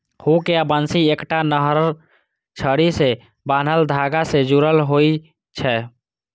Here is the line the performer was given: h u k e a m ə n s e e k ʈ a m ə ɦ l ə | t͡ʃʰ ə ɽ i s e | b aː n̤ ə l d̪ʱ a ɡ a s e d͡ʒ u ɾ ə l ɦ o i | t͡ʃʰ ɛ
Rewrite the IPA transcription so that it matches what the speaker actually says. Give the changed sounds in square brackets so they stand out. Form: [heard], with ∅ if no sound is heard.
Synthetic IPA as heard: h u k e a [b] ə n s [i] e k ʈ a [n] ə ɦ [ɾ] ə | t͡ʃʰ ə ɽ i s e | b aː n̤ ə l d̪ʱ a ɡ a s e d͡ʒ u ɾ ə l ɦ o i | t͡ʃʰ ɛ